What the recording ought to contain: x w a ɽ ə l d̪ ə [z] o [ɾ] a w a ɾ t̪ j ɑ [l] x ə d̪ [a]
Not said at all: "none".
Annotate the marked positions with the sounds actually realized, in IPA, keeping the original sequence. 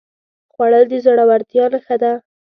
z, ɽ, l, a

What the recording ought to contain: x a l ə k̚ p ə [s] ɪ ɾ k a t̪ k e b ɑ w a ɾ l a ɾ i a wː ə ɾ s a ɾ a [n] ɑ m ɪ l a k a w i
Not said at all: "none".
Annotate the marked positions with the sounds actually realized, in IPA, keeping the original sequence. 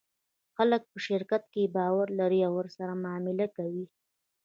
ʃ, m

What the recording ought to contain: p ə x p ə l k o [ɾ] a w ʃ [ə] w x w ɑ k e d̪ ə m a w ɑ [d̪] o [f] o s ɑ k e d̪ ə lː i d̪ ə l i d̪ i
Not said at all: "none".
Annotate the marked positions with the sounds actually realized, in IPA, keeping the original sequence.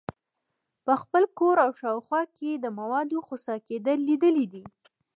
ɾ, ɑ, d̪, x

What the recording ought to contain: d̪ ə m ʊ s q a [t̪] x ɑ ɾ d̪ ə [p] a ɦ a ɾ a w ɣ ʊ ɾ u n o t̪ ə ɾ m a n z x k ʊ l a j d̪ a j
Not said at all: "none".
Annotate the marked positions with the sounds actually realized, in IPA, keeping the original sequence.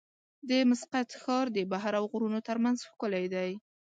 t̪, b

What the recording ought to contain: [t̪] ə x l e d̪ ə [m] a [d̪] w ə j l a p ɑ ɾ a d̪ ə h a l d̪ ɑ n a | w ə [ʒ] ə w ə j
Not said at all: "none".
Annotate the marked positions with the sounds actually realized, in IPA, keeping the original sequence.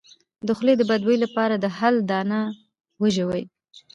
d̪, b, d̪, ʒ

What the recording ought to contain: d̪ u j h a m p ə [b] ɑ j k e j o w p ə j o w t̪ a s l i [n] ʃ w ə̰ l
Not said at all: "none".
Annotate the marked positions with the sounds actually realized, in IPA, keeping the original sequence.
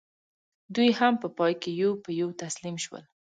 p, m

